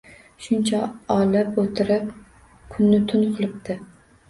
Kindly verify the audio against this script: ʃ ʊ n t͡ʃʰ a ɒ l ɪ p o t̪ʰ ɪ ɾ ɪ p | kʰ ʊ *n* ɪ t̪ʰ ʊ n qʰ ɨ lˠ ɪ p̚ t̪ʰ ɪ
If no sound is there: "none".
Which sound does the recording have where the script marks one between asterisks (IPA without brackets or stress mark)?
nː